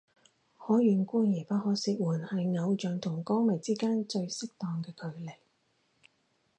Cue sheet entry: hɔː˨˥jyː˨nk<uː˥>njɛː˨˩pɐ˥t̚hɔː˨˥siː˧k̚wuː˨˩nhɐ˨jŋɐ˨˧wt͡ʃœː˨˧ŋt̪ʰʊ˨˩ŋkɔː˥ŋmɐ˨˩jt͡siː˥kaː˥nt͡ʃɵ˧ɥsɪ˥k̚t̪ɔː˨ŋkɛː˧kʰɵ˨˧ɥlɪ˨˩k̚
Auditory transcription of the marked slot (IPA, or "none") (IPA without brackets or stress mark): uː˥